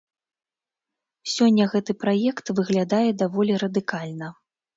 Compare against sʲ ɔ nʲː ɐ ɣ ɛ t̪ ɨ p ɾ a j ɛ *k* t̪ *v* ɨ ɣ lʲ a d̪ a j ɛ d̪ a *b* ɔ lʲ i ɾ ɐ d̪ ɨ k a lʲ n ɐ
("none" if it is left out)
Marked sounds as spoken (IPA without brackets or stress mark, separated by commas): k, v, v